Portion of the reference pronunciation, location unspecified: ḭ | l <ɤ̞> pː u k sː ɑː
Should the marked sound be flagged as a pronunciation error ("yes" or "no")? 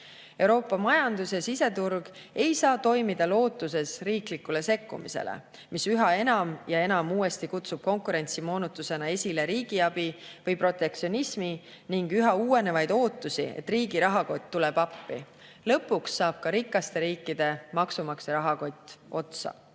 no